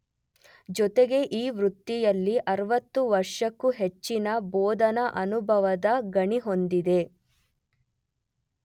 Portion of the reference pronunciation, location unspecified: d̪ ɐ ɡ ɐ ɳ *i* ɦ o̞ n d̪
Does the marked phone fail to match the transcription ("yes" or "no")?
no